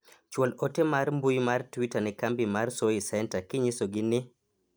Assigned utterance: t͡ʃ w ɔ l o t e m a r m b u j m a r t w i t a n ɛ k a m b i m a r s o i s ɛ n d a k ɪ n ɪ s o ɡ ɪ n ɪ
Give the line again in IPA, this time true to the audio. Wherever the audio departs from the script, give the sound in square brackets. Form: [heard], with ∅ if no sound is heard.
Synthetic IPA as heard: t͡ʃ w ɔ l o t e m a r m b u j m a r t w i t a n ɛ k a m b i m a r s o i s ɛ n [t] a k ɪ [ɲ] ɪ s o ɡ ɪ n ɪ